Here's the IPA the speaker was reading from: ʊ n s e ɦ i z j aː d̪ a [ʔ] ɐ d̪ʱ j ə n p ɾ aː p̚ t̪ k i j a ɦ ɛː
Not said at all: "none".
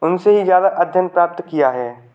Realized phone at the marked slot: ʔ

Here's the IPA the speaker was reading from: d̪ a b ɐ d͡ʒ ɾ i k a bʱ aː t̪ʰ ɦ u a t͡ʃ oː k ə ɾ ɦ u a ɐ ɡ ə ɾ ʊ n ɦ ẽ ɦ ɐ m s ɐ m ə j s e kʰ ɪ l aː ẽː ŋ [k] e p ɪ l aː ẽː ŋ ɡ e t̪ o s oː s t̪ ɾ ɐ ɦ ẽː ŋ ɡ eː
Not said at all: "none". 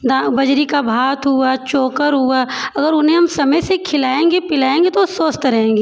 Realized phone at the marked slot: ɡ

